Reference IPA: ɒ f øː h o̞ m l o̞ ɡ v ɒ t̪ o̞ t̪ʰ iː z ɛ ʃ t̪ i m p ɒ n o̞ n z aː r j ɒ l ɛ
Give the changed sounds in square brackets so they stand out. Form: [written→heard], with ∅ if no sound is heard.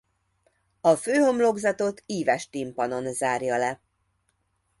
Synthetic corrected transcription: ɒ f øː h o̞ m l o̞ ɡ [v→z] ɒ t̪ o̞ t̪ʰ iː [z→v] ɛ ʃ t̪ i m p ɒ n o̞ n z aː r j ɒ l ɛ